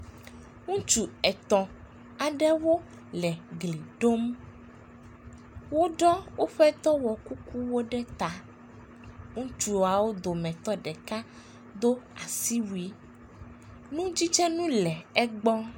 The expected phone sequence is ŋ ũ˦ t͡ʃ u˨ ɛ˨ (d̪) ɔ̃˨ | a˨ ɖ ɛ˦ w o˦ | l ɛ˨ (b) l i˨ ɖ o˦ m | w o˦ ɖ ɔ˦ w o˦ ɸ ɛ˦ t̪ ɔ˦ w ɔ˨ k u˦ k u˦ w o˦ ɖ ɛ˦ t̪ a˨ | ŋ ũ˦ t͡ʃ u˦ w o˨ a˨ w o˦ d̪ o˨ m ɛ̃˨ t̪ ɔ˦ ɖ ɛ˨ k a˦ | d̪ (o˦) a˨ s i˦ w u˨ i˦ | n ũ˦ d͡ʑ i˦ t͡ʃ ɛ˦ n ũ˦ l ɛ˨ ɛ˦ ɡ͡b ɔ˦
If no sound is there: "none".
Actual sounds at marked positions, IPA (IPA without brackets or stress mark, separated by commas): t̪, ɡ, o˦